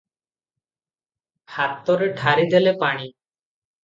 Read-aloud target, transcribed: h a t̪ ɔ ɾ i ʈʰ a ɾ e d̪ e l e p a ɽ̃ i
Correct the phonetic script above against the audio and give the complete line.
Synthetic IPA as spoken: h a t̪ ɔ ɾ e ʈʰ a ɾ i d̪ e l e p a ɽ̃ i